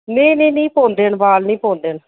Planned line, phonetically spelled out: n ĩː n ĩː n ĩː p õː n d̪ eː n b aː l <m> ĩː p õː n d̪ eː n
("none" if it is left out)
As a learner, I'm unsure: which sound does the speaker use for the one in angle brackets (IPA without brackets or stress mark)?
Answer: n